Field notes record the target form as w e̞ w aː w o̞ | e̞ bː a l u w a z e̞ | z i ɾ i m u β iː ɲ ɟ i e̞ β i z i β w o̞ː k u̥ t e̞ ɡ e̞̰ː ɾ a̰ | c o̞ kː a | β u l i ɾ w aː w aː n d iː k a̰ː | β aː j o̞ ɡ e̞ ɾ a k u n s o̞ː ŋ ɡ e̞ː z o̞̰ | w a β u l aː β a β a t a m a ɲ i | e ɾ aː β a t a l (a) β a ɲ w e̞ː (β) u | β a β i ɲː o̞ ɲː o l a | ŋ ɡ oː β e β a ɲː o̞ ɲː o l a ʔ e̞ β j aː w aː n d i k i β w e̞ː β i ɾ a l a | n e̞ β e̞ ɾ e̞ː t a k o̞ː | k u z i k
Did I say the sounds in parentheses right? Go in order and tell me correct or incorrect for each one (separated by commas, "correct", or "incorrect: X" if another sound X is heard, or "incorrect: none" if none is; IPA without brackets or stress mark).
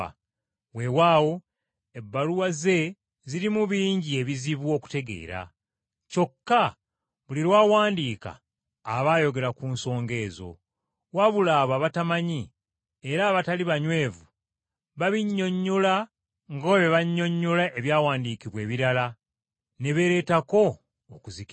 incorrect: i, incorrect: v